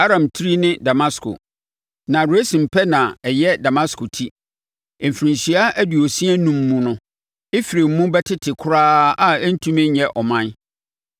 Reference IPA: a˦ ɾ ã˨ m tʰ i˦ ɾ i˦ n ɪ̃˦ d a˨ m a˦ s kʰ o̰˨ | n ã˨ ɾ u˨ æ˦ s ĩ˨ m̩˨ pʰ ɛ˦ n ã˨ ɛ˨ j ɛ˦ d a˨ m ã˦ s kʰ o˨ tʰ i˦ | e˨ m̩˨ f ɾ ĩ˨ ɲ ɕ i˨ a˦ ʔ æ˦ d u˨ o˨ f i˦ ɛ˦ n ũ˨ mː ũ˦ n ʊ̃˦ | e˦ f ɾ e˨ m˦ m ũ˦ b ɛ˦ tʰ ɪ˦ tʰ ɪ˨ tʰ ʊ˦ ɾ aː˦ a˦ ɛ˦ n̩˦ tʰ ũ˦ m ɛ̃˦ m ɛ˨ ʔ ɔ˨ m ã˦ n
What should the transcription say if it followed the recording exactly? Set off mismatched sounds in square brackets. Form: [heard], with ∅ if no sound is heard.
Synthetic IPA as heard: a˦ ɾ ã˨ m tʰ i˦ ɾ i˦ n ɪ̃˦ d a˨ m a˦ s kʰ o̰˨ | n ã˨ ɾ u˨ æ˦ s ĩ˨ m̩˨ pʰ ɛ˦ n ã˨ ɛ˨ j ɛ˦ d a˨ m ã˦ s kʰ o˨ tʰ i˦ | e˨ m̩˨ f ɾ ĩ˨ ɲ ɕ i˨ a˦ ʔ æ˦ d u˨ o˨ [s] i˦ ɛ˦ n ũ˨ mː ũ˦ n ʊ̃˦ | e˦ f ɾ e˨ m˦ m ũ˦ b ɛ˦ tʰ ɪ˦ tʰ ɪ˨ [kʰ] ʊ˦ ɾ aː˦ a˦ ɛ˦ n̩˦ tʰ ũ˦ m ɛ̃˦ [ɲ] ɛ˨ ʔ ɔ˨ m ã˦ n